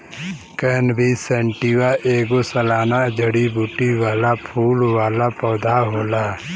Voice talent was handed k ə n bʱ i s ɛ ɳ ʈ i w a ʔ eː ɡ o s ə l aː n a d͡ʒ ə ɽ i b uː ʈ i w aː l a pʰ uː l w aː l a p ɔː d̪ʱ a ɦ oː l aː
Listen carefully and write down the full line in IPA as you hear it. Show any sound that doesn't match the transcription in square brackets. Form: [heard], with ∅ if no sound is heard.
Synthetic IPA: k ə n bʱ i s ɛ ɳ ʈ i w a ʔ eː ɡ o s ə l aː n a d͡ʒ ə ɽ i b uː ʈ i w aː l a pʰ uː l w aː l a p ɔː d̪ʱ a ɦ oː l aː